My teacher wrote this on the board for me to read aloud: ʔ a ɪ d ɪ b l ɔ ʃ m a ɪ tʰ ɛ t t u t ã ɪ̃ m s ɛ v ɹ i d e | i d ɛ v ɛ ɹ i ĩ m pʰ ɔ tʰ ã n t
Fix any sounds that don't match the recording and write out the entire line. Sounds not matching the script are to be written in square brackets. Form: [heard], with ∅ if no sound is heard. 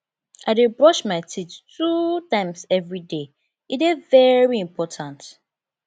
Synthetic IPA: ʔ a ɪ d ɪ b [ɹ] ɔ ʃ m a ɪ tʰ [i] t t u t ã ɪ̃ m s ɛ v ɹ i d e | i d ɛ v ɛ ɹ i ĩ m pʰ ɔ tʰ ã n t